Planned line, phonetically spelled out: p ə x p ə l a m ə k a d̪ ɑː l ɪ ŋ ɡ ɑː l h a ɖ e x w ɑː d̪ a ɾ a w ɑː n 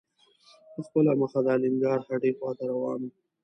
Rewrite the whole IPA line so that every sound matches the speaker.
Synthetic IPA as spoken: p ə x p ə l a m ə x a d̪ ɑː l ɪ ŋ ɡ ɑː ɾ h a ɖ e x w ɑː t̪ a ɾ a w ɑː n

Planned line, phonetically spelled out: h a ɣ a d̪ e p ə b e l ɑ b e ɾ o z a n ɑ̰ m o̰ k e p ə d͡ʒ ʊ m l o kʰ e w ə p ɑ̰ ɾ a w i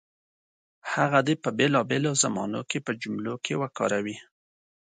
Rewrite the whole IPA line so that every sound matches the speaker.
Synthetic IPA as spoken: h a ɣ a d̪ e p ə b e l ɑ b e l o z a m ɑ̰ n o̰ k e p ə d͡ʒ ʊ m l o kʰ e w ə k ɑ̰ ɾ a w i

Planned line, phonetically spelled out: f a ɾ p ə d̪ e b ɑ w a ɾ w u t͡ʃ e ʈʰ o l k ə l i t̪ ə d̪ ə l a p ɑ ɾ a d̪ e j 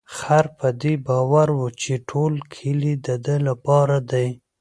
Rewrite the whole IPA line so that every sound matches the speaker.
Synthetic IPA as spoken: x a ɾ p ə d̪ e b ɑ w a ɾ w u t͡ʃ e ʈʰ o l kʰ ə l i d̪ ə d̪ ə l a p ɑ ɾ a d̪ a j

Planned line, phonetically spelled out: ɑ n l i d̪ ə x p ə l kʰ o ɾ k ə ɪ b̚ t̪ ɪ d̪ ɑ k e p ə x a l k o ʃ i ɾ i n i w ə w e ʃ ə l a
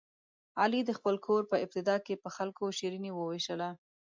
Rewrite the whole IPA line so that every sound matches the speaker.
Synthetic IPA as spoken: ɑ l i d̪ ə x p ə l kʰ o ɾ p ə ɪ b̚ t̪ ɪ d̪ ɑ k e p ə x a l k o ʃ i ɾ i n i w ə w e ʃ ə l a

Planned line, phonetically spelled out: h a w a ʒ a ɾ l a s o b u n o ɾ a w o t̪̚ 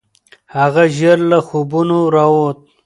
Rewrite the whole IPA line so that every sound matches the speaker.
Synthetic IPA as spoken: h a ɣ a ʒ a ɾ l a x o b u n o ɾ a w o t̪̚

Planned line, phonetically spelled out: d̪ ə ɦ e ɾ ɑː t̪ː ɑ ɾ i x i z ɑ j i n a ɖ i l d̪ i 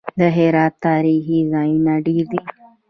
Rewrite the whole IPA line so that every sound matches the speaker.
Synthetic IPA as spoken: d̪ ə ɦ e ɾ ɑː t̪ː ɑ ɾ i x i z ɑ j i n a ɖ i ɾ d̪ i

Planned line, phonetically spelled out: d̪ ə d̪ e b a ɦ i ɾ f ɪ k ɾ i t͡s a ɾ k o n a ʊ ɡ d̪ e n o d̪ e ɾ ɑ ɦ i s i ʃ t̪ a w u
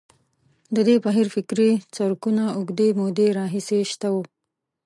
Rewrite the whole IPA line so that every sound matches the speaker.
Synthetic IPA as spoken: d̪ ə d̪ e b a ɦ i ɾ f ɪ k ɾ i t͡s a ɾ k u n a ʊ ɡ d̪ e m o d̪ e ɾ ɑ ɦ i s e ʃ t̪ a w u

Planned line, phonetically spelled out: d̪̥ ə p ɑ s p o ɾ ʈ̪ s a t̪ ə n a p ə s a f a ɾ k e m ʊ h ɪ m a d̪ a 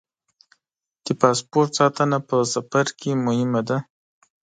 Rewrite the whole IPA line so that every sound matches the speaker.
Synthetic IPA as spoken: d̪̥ ə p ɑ s p o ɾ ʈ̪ s ɑ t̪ ə n a p ə s a f a ɾ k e m ʊ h ɪ m a d̪ a

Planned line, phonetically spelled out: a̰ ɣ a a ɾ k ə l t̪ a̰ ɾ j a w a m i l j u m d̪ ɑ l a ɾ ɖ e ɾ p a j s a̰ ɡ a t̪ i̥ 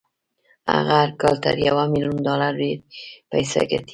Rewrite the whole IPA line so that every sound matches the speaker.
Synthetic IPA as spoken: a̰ ɣ a a ɾ k ɑ l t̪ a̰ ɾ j a w a m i l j u n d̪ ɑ l a ɾ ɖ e ɾ p a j s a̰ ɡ a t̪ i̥

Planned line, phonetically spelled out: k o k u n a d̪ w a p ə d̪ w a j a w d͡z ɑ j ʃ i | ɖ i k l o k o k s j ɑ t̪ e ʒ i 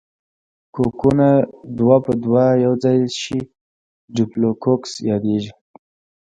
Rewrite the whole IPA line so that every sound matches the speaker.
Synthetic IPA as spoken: k o k u n a d̪ w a p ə d̪ w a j a w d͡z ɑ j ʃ i | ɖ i p l o k o k s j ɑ d̪ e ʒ i

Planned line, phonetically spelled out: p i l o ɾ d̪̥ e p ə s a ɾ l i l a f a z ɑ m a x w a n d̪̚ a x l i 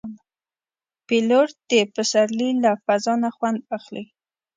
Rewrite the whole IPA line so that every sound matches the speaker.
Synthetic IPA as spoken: p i l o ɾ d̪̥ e p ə s a ɾ l i l a f a z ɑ n a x w a n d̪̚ a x l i

